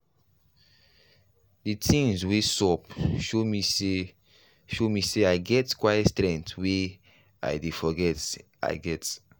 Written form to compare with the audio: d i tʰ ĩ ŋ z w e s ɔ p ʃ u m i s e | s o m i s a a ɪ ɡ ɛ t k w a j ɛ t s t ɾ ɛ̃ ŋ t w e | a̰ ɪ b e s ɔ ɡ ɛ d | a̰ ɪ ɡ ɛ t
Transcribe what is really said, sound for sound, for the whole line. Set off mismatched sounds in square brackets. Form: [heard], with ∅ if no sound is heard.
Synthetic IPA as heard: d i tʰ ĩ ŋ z w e s ɔ p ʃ [o] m i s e | [ʃ] o m i s [e] a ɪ ɡ ɛ t k w a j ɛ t s t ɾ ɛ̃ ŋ t w e | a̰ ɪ [d] e [f] ɔ ɡ ɛ [t] | a̰ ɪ ɡ ɛ t